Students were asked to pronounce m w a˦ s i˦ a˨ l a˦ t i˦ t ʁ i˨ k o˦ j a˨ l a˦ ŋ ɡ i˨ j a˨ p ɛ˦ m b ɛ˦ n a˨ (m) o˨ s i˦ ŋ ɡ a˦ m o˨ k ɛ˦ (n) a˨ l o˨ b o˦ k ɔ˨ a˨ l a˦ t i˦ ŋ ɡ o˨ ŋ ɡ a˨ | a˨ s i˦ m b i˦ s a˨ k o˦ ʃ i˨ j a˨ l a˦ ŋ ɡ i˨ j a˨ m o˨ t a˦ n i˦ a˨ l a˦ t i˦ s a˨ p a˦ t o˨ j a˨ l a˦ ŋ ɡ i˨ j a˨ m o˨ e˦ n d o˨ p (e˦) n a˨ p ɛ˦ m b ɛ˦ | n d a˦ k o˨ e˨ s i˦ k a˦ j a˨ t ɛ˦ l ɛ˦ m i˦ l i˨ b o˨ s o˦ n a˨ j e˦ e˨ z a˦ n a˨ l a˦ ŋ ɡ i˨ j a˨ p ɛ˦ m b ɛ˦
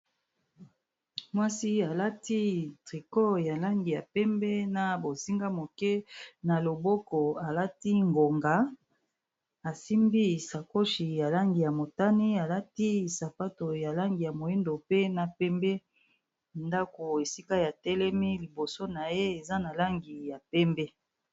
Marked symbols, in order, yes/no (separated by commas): no, yes, yes